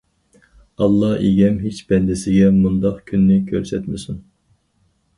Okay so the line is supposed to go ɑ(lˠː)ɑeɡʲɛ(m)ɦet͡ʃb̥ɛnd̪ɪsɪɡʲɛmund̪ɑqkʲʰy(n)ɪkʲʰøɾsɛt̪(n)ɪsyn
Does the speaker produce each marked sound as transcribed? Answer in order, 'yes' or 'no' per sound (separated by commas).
yes, yes, no, no